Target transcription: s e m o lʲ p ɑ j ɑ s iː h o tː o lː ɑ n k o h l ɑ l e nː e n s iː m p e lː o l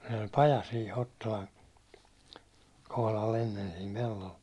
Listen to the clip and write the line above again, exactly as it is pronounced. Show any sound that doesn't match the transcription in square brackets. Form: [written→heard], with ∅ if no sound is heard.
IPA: s e [m→n] o lʲ p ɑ j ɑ s iː h o tː o [lː→l] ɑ n k o h l ɑ l e nː e n s iː m p e lː o l